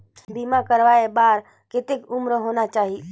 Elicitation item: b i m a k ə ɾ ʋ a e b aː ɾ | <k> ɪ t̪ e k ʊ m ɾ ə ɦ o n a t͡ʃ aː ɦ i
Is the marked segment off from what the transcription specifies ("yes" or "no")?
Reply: no